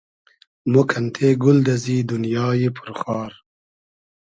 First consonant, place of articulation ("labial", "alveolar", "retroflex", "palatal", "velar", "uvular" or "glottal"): labial